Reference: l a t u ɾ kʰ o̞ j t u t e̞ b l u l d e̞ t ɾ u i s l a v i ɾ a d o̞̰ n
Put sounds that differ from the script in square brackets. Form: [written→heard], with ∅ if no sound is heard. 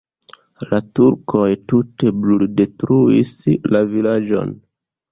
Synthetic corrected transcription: l a t u ɾ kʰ o̞ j t u t e̞ b l u l d e̞ t ɾ u i s l a v i [ɾ→l] a [d→d͡ʒ] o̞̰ n